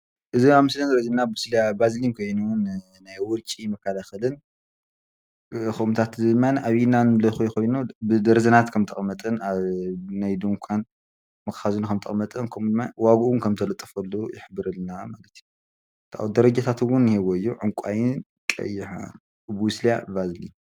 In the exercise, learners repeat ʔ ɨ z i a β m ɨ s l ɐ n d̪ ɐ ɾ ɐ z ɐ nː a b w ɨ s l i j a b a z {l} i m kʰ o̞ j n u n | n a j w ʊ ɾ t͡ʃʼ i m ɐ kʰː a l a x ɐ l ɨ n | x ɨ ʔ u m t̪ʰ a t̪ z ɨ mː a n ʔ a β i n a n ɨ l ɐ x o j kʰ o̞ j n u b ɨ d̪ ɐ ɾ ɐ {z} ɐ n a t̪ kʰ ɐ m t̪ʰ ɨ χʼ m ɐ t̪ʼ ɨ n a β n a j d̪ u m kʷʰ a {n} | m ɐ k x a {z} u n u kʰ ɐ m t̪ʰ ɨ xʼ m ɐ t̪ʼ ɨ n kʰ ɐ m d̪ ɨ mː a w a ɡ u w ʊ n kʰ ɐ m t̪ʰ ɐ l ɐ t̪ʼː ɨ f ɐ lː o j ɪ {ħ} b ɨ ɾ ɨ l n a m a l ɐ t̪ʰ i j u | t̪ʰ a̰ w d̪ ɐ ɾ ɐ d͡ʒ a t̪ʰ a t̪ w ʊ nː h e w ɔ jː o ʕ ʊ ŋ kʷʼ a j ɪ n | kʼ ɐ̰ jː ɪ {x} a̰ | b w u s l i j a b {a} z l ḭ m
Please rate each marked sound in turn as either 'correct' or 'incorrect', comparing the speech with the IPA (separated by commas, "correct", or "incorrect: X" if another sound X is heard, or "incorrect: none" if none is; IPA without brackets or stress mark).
correct, correct, correct, correct, correct, incorrect: ħ, correct